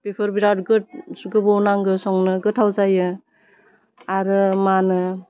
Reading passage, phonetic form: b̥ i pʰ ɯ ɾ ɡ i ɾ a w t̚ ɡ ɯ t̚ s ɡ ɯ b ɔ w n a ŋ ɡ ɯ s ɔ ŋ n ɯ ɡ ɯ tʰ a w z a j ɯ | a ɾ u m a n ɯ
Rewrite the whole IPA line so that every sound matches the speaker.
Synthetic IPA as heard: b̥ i pʰ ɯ ɾ b i ɾ a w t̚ ɡ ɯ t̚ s ɡ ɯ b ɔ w n a ŋ ɡ ɯ s ɔ ŋ n ɯ ɡ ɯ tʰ a w z a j ɯ | a ɾ ɯ m a n ɯ